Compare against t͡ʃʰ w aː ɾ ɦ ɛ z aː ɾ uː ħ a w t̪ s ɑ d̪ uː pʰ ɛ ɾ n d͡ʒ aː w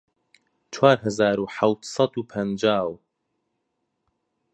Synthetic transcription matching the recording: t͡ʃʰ w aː ɾ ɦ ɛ z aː ɾ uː ħ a w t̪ s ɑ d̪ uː pʰ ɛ n d͡ʒ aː w